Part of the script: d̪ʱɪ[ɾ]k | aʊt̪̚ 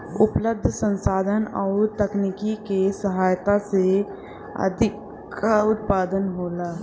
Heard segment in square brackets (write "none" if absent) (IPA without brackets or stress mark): none